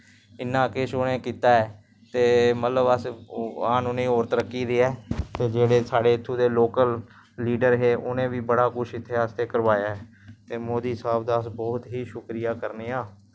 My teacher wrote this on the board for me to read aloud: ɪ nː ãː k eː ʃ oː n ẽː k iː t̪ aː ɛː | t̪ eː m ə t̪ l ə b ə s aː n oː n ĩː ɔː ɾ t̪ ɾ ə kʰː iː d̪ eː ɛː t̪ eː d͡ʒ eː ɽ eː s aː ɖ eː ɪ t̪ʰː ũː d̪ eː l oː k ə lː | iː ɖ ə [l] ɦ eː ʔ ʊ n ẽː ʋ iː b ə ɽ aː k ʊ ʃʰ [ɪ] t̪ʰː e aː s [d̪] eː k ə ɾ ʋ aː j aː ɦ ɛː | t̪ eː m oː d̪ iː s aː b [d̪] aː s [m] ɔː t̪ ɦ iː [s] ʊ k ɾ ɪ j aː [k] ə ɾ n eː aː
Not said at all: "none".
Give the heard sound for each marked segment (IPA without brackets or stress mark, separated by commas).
ɾ, ɪ, t̪, d̪, b, ʃ, k